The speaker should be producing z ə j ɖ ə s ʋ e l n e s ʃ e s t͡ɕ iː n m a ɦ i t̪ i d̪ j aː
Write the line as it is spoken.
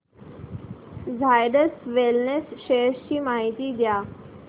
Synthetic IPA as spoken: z a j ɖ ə s ʋ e l n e s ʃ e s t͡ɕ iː m a ɦ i t̪ i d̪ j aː

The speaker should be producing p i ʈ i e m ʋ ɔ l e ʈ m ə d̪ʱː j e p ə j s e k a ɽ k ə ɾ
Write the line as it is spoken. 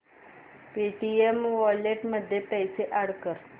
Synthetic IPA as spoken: p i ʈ i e m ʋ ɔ l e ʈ m ə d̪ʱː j e p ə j s e ʔ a ɽ k ə ɾ

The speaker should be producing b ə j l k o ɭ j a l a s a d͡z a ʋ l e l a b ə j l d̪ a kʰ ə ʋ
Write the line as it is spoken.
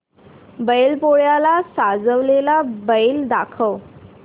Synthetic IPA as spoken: b ə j l p o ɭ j a l a s a d͡z ə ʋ l e l a b ə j l d̪ a kʰ ə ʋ

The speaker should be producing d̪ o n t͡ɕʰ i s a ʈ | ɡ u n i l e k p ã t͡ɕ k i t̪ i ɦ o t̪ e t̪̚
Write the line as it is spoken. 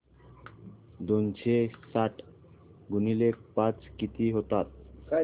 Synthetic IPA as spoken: d̪ o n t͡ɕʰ e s a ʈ | ɡ u n i l e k p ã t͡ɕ k i t̪ i ɦ o t̪ a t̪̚

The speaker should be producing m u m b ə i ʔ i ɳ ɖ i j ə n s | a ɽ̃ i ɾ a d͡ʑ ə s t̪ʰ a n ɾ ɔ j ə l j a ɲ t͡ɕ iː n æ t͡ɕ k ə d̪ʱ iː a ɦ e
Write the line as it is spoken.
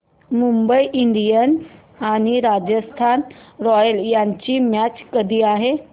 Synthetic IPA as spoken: m u m b ə i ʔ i ɳ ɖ i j ə n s | a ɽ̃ i ɾ a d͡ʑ ə s t̪ʰ a n ɾ ɔ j ə l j a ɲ t͡ɕ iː m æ t͡ɕ k ə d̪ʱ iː a ɦ e

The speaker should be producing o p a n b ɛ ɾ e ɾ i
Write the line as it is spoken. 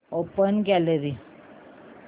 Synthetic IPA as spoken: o p ə n ɡ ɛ l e ɾ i

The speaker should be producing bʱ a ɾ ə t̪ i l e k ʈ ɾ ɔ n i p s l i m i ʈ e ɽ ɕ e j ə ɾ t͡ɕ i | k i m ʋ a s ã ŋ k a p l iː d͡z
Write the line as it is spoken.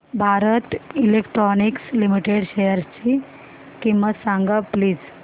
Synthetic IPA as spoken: bʱ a ɾ ə t̪ i l e k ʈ ɾ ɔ n i k s l i m i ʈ e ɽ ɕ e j ə ɾ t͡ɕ i | k i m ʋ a s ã ŋ ɡ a p l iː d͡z

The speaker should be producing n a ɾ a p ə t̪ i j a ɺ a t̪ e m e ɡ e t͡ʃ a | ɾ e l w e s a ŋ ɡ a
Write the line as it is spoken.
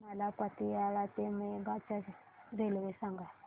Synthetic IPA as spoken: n a l a p a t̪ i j a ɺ a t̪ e m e ɡ a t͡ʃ a | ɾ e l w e s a ŋ ɡ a

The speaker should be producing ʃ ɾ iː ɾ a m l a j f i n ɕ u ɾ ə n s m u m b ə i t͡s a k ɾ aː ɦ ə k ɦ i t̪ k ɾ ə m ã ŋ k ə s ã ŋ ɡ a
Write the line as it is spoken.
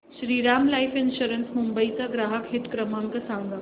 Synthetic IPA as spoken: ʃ ɾ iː ɾ a m l a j f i n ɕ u ɾ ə n s m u m b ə i t͡s a ɡ ɾ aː ɦ ə k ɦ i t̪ k ɾ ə m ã ŋ k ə s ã ŋ ɡ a

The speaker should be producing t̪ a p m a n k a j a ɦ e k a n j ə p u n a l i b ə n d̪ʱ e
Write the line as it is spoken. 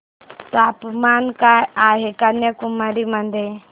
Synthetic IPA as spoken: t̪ a p m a n k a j a ɦ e k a n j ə k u m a ɾ i m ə n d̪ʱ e

